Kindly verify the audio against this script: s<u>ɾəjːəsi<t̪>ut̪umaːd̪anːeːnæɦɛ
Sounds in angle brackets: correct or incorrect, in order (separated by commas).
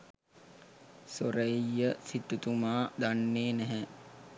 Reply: incorrect, correct